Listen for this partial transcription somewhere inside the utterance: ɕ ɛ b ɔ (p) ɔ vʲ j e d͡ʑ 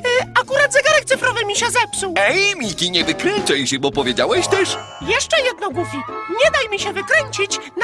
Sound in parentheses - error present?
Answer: no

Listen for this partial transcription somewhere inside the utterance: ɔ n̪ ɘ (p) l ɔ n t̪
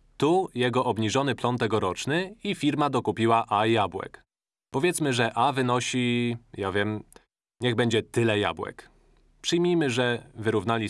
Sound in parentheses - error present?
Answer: no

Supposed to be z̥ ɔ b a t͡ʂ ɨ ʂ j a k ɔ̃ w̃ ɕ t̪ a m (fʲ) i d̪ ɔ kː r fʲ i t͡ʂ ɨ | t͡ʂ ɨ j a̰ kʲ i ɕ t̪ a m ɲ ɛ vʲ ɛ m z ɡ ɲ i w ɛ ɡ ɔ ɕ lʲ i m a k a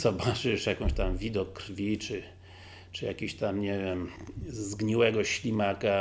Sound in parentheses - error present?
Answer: yes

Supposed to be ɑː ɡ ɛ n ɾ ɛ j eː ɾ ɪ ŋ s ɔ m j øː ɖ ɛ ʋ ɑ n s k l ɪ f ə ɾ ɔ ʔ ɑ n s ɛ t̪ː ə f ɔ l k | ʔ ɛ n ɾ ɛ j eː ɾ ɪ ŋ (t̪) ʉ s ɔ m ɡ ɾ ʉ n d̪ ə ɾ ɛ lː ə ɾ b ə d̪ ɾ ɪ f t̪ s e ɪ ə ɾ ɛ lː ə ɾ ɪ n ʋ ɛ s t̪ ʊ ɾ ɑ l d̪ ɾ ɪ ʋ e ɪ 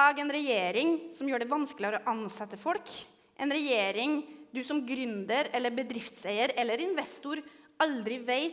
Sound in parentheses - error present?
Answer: yes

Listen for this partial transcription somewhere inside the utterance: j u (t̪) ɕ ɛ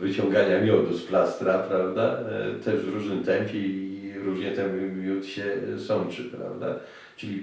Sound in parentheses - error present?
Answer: no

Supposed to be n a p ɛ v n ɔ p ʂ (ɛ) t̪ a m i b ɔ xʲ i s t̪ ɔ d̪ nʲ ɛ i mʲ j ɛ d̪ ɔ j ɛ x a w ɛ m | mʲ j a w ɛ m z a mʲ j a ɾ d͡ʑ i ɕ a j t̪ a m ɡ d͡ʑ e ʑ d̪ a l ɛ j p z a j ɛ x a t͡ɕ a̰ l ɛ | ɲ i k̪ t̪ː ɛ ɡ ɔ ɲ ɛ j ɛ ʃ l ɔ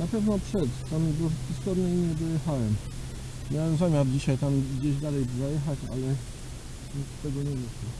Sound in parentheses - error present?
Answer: no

